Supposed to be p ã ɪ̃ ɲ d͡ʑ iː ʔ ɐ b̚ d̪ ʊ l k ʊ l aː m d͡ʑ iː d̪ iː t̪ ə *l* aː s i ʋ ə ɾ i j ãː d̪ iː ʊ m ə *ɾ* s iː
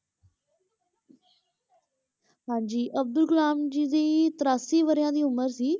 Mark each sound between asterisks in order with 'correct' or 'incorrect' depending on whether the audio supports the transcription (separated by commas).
incorrect, correct